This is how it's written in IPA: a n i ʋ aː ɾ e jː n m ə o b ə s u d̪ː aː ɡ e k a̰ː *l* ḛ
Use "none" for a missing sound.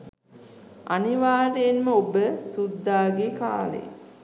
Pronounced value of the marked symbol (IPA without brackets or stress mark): l